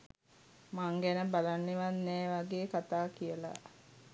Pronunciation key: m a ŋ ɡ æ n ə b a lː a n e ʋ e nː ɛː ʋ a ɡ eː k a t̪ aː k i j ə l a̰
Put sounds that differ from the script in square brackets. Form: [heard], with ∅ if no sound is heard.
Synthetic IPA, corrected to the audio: m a ŋ ɡ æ n ə b a [l] a [nː] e ʋ [a] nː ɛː ʋ a ɡ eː k a t̪ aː k i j ə l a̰